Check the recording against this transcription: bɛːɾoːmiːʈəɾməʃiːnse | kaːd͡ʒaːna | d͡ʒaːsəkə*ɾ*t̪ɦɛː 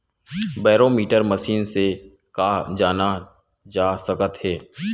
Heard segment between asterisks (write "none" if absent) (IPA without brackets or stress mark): none